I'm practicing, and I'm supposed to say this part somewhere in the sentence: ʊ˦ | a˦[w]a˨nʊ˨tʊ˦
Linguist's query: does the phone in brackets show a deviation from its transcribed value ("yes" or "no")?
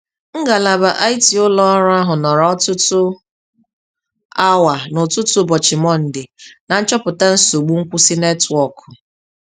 no